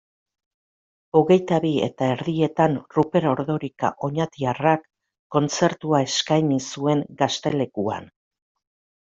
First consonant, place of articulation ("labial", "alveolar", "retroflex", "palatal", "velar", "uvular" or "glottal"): velar